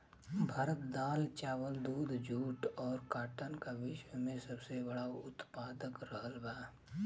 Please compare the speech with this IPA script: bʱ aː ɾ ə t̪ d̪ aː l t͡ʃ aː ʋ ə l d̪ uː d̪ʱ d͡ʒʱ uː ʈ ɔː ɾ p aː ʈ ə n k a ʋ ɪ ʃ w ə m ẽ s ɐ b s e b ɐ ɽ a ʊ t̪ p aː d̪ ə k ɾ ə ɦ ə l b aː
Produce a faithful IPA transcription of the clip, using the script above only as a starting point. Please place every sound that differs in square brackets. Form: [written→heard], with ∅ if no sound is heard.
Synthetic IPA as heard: bʱ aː ɾ ə t̪ d̪ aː l t͡ʃ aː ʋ ə l d̪ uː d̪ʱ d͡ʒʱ uː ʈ ɔː ɾ [p→k] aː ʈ ə n k a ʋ ɪ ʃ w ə m ẽ s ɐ b s e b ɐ ɽ a ʊ t̪ p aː d̪ ə k ɾ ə ɦ ə l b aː